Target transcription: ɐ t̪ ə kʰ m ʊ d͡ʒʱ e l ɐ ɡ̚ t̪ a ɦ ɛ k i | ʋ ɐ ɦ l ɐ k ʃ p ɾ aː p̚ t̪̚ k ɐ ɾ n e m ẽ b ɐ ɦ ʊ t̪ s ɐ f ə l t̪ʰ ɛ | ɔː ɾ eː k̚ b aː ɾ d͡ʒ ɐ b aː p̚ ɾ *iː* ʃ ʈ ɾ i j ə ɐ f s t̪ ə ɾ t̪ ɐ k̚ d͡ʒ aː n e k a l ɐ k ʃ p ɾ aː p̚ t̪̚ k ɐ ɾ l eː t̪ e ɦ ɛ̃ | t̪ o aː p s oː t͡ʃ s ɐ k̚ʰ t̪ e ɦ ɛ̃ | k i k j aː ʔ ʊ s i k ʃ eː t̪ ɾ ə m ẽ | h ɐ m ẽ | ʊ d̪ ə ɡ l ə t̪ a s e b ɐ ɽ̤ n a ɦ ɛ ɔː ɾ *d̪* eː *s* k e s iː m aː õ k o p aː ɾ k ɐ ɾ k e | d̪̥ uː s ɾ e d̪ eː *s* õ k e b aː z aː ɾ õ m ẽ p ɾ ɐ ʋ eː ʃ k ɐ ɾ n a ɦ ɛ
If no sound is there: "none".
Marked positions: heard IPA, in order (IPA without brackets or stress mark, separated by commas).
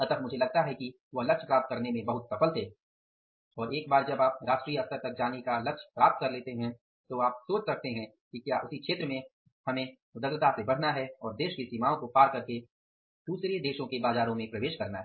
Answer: aː, d̪, ʃ, ʃ